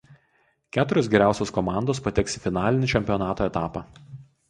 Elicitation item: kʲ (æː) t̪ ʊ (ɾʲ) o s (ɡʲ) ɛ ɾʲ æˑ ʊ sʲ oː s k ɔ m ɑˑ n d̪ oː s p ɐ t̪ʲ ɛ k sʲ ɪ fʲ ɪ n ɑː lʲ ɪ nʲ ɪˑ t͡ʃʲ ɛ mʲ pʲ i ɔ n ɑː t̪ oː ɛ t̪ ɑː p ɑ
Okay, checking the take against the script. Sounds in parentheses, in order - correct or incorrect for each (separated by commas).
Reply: correct, correct, correct